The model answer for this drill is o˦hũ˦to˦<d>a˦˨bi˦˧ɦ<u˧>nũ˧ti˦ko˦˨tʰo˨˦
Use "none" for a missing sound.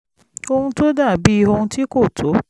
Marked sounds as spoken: d, o˧

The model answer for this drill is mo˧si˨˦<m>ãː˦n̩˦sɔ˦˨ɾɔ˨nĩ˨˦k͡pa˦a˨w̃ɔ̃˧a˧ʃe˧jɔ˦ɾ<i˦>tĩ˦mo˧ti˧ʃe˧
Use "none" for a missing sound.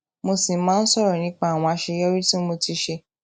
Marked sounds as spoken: m, i˦

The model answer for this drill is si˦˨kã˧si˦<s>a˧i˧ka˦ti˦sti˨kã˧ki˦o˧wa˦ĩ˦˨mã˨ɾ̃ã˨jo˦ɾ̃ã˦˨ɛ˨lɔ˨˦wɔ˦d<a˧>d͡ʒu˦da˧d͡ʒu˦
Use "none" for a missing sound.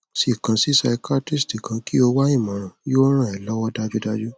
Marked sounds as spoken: s, a˧

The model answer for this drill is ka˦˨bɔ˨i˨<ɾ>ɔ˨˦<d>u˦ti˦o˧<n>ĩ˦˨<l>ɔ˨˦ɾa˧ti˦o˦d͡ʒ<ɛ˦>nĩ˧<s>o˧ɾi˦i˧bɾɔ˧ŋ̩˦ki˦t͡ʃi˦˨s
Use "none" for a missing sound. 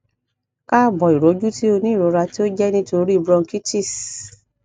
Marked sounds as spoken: ɾ, d͡ʒ, n, ɾ, ɛ˦, t

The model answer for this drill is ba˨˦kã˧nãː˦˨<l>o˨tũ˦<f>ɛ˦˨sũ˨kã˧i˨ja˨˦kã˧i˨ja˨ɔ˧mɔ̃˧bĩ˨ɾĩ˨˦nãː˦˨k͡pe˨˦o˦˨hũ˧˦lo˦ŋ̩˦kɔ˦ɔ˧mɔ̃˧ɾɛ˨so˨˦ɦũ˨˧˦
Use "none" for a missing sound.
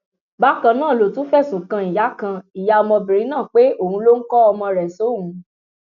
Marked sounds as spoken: l, f

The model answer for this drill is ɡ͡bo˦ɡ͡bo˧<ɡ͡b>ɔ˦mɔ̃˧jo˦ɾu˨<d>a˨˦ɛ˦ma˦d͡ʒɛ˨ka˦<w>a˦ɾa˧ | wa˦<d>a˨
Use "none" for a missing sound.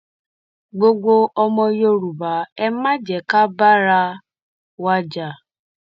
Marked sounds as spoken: none, b, b, d͡ʒ

